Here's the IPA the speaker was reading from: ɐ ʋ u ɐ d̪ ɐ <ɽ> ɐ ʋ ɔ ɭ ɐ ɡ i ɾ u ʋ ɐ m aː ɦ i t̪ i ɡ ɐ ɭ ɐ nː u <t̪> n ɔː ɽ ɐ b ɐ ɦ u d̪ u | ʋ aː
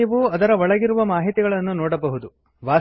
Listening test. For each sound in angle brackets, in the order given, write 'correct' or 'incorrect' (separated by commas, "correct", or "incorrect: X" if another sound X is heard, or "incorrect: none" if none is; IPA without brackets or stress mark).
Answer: incorrect: ɾ, incorrect: none